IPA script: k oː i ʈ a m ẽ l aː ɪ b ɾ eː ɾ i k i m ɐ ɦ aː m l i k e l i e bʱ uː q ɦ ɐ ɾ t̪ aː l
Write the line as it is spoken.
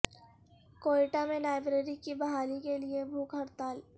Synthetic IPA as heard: k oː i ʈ a m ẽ l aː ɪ b ɾ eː ɾ i k i b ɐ ɦ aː l i k e l i e bʱ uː k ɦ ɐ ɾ t̪ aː l

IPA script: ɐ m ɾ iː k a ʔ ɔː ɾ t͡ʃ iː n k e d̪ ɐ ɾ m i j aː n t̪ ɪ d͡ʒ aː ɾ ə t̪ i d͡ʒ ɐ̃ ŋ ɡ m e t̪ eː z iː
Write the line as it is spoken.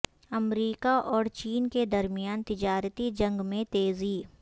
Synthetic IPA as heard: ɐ m ɾ iː k a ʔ ɔː ɾ t͡ʃ iː n k e d̪ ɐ ɾ m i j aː n t̪ ɪ d͡ʒ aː ɾ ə t̪ i d͡ʒ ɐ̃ ŋ ɡ m ẽ t̪ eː z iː

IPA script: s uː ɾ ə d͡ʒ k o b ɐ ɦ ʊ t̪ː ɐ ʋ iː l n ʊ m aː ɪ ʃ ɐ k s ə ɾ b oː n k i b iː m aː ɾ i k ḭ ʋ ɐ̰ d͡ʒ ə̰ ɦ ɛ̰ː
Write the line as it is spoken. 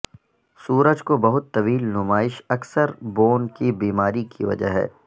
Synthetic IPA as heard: s uː ɾ ə d͡ʒ k o b ɐ ɦ ʊ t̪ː ɐ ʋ iː l n ʊ m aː ɪ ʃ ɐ k s ə ɾ b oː n k i b iː m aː ɾ i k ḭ ʋ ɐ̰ d͡ʒ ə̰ ɦ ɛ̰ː

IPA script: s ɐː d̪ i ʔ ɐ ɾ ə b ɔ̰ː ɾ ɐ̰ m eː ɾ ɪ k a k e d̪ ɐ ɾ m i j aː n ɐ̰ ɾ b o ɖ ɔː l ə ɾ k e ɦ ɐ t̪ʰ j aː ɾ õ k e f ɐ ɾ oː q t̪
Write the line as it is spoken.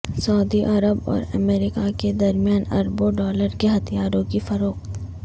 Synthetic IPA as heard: s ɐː d̪ i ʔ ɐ ɾ ə b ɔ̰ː ɾ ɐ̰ m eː ɾ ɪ k a k e d̪ ɐ ɾ m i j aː n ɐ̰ ɾ b o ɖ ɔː l ə ɾ k e ɦ ɐ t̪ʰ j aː ɾ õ k i f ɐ ɾ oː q t̪

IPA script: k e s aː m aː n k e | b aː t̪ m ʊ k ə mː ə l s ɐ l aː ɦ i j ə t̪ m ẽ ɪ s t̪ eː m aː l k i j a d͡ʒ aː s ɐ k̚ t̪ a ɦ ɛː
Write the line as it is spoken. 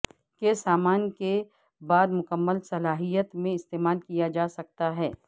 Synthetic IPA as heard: k e s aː m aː n k e | b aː d̪ m ʊ k ə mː ə l s ɐ l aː ɦ i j ə t̪ m ẽ ɪ s t̪ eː m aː l k i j a d͡ʒ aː s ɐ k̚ t̪ a ɦ ɛː

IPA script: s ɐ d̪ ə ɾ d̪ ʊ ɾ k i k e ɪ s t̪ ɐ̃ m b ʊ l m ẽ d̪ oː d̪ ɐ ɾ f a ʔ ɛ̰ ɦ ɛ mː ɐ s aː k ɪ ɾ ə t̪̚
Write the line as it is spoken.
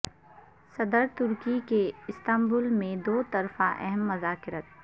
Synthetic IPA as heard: s ɐ d̪ ə ɾ t̪ ʊ ɾ k i k e ɪ s t̪ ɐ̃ m b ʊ l m ẽ d̪ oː t̪ ɐ ɾ f a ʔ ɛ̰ ɦ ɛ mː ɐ z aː k ɪ ɾ ə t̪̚

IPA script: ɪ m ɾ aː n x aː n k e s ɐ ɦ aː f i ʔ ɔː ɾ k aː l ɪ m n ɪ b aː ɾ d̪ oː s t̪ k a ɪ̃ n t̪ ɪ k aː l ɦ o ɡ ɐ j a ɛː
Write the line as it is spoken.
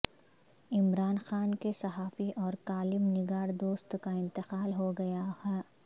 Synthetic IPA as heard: ɪ m ɾ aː n x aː n k e s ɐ ɦ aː f i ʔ ɔː ɾ k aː l ɪ m n ɪ ɡ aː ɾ d̪ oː s t̪ k a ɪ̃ n t̪ ɪ q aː l ɦ o ɡ ɐ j a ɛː

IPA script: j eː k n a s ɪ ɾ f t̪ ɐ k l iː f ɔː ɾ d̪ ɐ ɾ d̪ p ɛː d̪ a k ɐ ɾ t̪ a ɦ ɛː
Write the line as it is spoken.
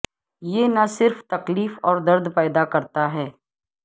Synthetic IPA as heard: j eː n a s ɪ ɾ f t̪ ɐ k l iː f ɔː ɾ d̪ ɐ ɾ d̪ p ɛː d̪ a k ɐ ɾ t̪ a ɦ ɛː

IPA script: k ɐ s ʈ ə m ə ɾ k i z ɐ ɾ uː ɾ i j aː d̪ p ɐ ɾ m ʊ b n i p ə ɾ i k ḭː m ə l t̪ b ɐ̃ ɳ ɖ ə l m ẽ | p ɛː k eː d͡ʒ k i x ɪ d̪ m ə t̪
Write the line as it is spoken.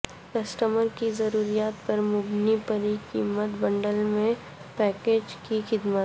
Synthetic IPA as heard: k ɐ s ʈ ə m ə ɾ k i z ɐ ɾ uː ɾ i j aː t̪ p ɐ ɾ m ʊ b n i p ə ɾ i k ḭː m ə t̪ b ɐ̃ ɳ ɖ ə l m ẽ | p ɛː k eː d͡ʒ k i x ɪ d̪ m ə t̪

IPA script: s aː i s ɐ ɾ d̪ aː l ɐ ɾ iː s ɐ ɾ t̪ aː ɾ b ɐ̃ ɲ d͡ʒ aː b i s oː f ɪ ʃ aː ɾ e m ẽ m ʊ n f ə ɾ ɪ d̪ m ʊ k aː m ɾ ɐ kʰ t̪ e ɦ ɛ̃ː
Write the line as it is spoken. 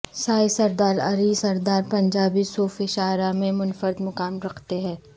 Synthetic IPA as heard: s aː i s ɐ ɾ d̪ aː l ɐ ɾ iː s ɐ ɾ d̪ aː ɾ p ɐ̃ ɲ d͡ʒ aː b i s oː f ɪ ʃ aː ɾ a m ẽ m ʊ n f ə ɾ ɪ d̪ m ʊ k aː m ɾ ɐ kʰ t̪ e ɦ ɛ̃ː

